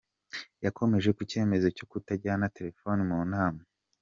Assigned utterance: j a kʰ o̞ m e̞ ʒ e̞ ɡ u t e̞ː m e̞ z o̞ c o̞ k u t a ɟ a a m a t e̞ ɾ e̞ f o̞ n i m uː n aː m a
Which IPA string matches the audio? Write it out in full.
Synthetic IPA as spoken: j a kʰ o̞ m e̞ ʒ e̞ k u c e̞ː m e̞ z o̞ c o̞ k u t a ɟ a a n a t e̞ ɾ e̞ f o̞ n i m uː n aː m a

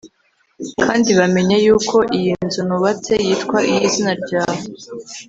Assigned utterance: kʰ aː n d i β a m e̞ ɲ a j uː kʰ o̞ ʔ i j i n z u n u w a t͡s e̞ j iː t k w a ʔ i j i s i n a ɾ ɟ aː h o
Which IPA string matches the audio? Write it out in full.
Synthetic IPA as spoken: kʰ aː n d i β a m e̞ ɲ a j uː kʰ o̞ ʔ i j i n z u n u β a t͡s e̞ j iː t k w a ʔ i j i z i n a ɾ ɟ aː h o

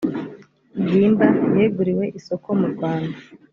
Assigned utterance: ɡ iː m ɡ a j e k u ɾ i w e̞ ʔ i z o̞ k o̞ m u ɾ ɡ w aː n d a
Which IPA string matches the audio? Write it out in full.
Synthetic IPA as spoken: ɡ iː m b a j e ɡ u ɾ i w e̞ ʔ i s o̞ k o̞ m u ɾ ɡ w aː n d a

